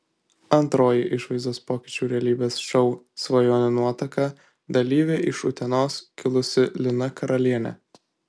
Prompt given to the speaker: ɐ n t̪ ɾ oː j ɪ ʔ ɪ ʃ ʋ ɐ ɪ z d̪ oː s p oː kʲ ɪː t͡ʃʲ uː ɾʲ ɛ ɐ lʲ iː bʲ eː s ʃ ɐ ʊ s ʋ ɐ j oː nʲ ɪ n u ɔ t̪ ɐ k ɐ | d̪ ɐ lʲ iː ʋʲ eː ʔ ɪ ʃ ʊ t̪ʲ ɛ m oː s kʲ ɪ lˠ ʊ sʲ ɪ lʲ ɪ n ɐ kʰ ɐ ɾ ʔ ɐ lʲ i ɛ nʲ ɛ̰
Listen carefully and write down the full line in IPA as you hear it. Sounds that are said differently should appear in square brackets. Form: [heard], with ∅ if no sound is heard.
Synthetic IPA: ɐ n t̪ ɾ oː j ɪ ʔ ɪ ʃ ʋ ɐ ɪ z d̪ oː s p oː kʲ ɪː t͡ʃʲ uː ɾʲ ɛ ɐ lʲ iː bʲ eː s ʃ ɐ ʊ s ʋ ɐ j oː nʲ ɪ n u ɔ t̪ ɐ k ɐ | d̪ ɐ lʲ iː ʋʲ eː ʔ ɪ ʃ ʊ t̪ʲ ɛ [n] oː s kʲ ɪ lˠ ʊ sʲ ɪ lʲ ɪ n ɐ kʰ ɐ ɾ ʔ ɐ lʲ i ɛ nʲ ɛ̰